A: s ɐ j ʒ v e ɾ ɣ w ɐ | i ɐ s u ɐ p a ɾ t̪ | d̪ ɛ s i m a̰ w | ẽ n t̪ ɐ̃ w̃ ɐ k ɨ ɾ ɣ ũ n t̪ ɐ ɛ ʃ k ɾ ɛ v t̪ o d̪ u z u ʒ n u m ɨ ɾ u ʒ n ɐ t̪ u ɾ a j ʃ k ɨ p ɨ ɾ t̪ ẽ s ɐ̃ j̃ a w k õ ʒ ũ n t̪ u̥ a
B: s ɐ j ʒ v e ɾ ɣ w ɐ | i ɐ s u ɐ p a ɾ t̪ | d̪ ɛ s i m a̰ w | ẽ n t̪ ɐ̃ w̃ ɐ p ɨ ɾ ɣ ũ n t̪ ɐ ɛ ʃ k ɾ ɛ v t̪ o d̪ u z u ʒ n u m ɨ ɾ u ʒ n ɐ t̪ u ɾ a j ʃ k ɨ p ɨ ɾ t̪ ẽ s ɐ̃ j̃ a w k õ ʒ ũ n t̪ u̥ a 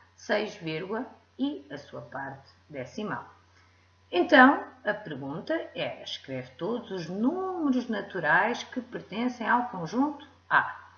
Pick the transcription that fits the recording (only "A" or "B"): B